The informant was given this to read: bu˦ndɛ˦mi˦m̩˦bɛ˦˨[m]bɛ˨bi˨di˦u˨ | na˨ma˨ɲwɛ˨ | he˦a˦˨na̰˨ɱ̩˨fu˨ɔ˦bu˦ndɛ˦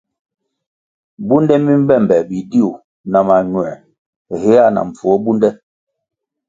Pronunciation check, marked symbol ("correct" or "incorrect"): correct